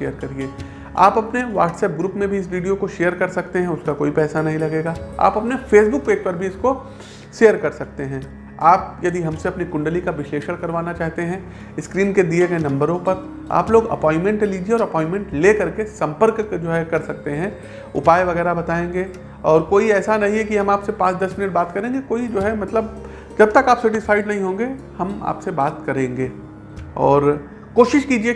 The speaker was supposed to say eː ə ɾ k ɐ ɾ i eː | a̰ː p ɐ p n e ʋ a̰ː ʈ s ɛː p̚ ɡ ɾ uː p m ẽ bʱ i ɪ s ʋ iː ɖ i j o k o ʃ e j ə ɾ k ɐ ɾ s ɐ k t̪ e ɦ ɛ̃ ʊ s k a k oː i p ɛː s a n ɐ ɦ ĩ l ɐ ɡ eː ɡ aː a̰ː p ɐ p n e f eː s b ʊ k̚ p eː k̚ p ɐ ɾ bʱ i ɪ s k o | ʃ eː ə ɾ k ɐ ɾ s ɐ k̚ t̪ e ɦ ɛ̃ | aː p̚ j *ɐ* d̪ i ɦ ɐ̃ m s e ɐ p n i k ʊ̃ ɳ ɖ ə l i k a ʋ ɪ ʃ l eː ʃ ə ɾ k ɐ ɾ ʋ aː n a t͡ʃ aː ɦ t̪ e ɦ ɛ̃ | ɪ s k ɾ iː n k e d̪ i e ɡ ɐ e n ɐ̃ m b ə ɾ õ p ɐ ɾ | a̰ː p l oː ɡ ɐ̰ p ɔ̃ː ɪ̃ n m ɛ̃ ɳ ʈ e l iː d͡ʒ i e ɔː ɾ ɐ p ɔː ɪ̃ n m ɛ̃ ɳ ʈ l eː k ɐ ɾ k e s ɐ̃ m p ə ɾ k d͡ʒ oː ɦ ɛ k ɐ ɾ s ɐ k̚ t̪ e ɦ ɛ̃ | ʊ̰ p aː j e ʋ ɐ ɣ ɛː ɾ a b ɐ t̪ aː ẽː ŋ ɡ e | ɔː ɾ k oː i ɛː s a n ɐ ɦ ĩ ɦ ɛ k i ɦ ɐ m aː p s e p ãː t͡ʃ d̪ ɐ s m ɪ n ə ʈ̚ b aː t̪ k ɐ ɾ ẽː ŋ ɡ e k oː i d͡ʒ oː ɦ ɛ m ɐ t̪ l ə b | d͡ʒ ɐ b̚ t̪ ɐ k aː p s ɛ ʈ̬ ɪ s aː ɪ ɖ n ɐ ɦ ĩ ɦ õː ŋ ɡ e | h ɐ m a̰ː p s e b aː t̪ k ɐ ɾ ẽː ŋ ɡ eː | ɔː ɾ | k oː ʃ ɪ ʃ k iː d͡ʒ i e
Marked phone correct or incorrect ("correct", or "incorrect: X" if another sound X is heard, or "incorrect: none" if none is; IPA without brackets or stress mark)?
correct